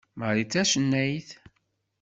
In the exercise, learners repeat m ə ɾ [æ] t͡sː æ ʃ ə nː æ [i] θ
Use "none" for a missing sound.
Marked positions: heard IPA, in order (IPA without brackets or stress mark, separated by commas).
i, j